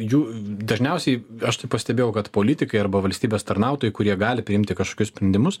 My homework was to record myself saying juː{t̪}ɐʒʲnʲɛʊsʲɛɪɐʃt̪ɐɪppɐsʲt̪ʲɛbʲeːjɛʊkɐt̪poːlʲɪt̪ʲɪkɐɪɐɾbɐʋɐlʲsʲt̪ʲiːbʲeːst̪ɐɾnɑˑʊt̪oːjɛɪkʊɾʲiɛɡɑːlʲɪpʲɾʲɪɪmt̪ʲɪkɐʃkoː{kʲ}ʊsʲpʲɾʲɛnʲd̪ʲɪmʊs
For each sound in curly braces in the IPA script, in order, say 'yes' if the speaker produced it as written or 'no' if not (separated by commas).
no, yes